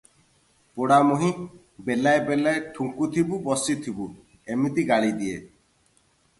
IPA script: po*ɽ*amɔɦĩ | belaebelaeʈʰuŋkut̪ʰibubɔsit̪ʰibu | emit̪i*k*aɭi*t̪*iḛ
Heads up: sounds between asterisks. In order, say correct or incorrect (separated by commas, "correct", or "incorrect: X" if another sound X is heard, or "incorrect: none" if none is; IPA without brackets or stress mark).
correct, incorrect: ɡ, incorrect: d̪